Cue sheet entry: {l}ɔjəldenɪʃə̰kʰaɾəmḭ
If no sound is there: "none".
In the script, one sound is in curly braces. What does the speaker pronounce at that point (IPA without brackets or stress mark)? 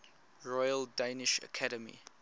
ɹ